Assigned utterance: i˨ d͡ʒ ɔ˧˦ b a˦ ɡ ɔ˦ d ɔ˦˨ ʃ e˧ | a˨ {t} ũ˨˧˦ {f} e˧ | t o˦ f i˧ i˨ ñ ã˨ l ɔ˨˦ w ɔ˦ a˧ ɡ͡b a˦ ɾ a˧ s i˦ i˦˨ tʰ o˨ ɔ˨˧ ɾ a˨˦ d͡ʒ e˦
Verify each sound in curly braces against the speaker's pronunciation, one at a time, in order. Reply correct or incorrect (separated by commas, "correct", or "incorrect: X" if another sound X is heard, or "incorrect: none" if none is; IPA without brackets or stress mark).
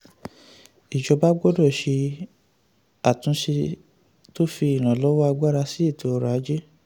correct, incorrect: ʃ